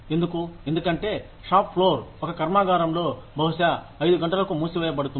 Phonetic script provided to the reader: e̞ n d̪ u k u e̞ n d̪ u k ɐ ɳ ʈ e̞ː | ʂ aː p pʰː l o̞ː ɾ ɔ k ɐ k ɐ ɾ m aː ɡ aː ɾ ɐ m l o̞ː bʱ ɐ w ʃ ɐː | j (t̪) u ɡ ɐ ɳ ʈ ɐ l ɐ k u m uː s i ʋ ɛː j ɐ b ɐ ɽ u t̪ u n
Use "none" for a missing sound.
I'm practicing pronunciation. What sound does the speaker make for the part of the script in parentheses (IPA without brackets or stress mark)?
d̪